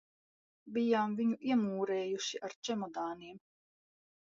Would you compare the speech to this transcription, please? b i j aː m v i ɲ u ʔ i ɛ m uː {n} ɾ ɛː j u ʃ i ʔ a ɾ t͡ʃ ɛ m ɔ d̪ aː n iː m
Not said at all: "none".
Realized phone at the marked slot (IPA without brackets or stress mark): none